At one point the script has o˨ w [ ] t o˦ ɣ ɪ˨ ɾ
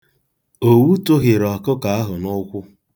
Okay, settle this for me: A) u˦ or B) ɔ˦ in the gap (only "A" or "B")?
A